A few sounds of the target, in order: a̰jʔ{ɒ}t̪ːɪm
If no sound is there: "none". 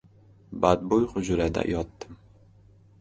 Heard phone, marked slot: ɒ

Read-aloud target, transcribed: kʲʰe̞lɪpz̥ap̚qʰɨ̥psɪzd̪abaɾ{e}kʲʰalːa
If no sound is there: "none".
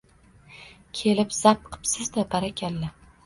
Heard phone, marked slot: a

